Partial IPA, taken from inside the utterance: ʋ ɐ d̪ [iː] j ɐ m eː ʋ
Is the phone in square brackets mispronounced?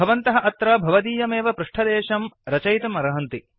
no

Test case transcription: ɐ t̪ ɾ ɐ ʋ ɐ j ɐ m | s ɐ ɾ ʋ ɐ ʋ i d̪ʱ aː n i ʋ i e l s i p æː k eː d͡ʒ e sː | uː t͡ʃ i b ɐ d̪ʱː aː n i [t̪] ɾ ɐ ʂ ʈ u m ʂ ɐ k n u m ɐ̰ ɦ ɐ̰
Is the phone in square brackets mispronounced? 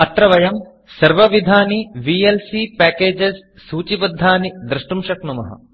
yes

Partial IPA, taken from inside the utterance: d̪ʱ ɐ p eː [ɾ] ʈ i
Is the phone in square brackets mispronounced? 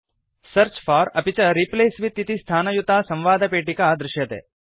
yes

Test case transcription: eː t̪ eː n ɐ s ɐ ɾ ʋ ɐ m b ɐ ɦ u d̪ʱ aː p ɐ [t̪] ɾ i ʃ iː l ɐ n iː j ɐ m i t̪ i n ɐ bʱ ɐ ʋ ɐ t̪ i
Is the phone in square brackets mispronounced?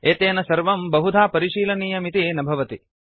yes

